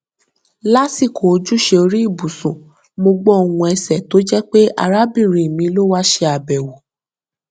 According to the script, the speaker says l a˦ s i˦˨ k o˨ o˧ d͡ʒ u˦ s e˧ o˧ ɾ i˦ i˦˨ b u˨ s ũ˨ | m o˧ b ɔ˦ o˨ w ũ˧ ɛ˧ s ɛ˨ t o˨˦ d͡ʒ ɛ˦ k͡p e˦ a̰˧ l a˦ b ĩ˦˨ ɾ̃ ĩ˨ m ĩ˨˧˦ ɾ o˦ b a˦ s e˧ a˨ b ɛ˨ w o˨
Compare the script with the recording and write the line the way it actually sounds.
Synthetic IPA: l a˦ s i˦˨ k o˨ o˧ d͡ʒ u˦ ʃ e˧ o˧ ɾ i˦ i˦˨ b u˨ s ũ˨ | m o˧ ɡ͡b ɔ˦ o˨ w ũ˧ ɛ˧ s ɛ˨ t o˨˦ d͡ʒ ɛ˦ k͡p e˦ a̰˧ ɾ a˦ b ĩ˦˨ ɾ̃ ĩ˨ m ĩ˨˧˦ l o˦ w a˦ ʃ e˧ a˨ b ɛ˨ w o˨